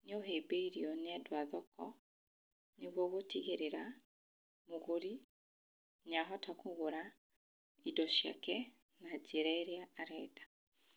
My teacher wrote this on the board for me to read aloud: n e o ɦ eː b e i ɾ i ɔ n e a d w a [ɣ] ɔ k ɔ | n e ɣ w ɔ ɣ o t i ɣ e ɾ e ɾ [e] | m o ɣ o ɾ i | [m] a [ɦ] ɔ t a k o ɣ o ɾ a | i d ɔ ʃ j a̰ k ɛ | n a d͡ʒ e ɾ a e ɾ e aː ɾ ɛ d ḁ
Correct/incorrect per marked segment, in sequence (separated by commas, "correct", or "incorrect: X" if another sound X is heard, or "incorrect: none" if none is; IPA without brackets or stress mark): incorrect: ð, incorrect: a, incorrect: ɲ, correct